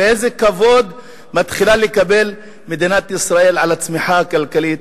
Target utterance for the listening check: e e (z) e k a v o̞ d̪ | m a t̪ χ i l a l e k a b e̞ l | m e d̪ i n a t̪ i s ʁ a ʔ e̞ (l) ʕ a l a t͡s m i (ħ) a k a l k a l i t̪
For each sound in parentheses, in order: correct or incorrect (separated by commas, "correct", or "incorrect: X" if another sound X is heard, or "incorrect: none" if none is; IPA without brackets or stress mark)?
correct, correct, correct